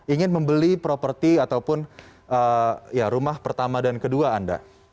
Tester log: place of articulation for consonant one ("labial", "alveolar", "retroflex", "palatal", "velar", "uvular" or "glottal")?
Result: velar